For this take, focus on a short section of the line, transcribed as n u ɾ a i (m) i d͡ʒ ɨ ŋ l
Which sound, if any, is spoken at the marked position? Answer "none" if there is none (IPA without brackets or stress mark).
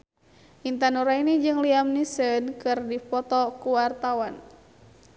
n